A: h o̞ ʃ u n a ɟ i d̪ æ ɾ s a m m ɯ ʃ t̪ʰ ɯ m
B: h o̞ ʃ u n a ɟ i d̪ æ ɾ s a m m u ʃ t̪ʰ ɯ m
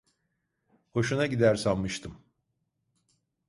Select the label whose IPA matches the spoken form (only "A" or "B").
A